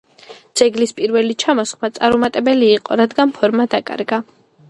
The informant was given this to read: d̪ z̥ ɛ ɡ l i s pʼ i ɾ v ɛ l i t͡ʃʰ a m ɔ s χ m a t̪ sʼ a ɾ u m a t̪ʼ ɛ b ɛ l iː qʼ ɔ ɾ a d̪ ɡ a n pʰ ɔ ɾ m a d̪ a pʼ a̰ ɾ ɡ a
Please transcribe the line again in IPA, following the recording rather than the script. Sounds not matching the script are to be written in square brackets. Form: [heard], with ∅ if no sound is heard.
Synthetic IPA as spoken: d̪ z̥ ɛ ɡ l i s pʼ i ɾ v ɛ l i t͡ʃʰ a m ɔ s χ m a t̪ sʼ a ɾ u m a t̪ʼ ɛ b ɛ l iː qʼ ɔ ɾ a d̪ ɡ a n pʰ ɔ ɾ m a d̪ a [kʼ] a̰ ɾ ɡ a